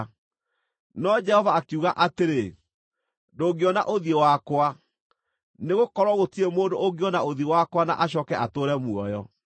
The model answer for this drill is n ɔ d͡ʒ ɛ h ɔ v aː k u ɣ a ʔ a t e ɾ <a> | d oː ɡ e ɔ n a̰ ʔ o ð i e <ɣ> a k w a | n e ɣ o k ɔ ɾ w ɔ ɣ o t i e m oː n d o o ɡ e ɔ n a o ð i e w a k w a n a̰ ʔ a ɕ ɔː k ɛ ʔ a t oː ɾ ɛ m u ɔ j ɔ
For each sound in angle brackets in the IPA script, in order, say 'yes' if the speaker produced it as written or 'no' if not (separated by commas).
no, no